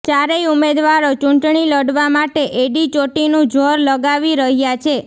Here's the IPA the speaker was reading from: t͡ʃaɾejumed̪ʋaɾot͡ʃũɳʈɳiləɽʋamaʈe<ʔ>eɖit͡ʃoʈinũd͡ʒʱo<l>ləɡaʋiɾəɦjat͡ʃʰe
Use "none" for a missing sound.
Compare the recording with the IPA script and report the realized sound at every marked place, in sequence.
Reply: ʔ, ɾ

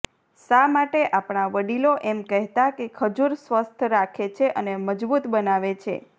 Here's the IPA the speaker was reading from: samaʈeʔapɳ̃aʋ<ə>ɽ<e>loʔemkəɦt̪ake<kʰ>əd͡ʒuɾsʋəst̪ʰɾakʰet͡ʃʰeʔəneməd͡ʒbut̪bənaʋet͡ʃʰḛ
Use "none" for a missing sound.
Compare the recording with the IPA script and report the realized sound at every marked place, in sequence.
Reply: ə, i, kʰ

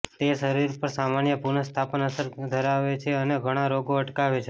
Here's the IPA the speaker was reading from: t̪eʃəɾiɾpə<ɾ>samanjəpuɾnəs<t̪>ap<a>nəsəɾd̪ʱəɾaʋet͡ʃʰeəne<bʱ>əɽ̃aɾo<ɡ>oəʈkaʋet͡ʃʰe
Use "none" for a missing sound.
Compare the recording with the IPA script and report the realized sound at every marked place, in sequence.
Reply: ɾ, t̪ʰ, ə, ɡʱ, ɡ

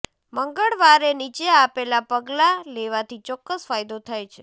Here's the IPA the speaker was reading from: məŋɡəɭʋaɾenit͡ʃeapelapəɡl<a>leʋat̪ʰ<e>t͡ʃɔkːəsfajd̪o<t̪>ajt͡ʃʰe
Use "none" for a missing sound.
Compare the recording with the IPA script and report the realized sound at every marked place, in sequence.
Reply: a, i, t̪ʰ

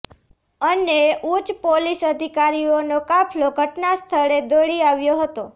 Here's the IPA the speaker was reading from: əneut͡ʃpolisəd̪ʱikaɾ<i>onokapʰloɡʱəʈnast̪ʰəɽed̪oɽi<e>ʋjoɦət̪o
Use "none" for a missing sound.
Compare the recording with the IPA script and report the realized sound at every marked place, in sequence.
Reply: i, a

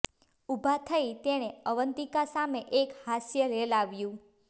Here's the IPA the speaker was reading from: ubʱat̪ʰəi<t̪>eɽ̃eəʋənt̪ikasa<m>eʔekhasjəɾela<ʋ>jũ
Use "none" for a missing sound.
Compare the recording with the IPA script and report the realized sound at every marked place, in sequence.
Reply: t̪, m, ʋ

